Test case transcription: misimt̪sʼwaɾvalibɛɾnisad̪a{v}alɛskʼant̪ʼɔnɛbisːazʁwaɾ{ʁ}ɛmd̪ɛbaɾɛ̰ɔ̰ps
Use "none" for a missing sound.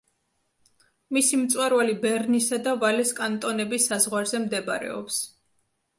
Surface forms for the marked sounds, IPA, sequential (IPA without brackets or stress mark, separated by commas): v, z